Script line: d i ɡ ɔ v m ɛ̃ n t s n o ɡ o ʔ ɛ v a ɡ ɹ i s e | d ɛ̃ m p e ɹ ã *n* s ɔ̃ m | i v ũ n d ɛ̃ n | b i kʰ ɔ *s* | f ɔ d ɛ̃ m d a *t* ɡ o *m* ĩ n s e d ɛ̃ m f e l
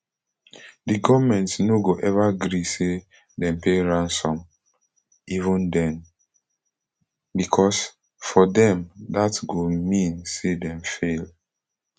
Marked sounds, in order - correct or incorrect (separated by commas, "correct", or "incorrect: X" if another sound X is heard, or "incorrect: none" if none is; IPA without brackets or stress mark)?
correct, correct, correct, correct